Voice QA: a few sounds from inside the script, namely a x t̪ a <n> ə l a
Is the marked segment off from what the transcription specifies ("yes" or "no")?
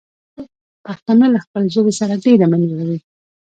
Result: no